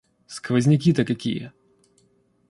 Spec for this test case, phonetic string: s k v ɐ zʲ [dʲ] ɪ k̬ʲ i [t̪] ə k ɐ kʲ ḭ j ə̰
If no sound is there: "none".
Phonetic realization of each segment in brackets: nʲ, t̪

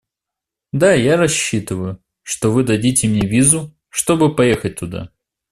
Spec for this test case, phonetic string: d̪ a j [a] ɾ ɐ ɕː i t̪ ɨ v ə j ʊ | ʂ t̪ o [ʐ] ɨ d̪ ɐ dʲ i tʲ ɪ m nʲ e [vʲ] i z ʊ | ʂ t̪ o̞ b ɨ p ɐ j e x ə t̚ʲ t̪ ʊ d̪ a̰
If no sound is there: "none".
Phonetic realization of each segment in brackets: a, v, vʲ

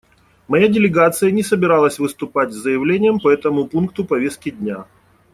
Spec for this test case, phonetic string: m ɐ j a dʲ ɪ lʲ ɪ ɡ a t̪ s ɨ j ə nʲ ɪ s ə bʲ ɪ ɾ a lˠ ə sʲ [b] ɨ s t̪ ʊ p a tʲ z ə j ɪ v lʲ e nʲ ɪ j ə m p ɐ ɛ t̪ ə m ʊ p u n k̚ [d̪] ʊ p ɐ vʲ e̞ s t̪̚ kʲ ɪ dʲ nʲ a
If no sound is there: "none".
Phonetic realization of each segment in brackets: v, t̪

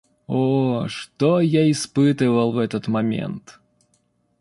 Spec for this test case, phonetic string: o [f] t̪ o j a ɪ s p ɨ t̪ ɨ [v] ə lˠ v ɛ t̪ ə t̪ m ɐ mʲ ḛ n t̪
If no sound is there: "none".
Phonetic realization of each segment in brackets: ʂ, v

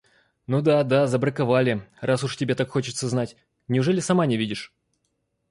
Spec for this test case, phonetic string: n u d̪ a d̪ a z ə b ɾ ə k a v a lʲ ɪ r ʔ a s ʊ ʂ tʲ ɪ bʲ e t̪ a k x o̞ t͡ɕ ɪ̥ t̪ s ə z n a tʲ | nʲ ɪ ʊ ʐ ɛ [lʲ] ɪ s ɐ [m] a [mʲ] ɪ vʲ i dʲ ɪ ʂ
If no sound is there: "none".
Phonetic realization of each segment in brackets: lʲ, m, nʲ

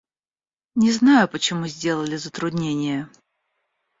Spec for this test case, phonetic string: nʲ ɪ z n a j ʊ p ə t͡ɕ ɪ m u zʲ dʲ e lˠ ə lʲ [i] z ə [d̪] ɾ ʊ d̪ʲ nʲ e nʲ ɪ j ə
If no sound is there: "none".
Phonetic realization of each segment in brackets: ɪ, t̪

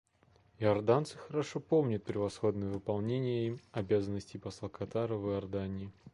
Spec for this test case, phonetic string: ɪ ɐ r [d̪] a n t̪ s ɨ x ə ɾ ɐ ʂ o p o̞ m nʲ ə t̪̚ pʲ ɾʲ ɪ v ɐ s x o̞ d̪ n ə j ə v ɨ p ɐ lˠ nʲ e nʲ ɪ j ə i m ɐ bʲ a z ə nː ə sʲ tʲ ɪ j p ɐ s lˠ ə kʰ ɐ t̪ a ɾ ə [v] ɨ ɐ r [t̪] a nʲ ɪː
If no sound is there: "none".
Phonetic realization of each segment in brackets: d̪, v, d̪

